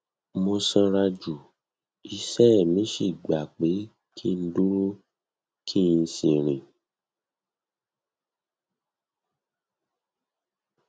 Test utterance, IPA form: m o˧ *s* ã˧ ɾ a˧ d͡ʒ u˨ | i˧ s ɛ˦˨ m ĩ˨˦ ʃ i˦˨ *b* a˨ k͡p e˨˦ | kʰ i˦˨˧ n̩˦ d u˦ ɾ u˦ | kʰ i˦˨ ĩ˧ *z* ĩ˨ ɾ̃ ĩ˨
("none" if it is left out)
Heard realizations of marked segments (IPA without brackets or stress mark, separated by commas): s, ɡ͡b, s